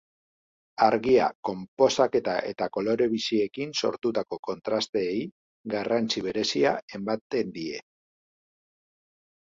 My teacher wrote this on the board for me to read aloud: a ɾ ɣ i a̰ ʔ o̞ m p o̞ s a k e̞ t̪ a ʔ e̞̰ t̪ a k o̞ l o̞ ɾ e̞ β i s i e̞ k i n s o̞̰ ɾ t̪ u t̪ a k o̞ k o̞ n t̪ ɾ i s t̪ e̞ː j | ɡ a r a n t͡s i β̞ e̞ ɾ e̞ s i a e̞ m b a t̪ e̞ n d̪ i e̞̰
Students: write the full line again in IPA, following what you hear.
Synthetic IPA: a ɾ ɣ i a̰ k o̞ m p o̞ s a k e̞ t̪ a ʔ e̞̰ t̪ a k o̞ l o̞ ɾ e̞ β i s i e̞ k i n s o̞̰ ɾ t̪ u t̪ a k o̞ k o̞ n t̪ ɾ a s t̪ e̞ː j | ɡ a r a n t͡s i β̞ e̞ ɾ e̞ s i a e̞ m b a t̪ e̞ n d̪ i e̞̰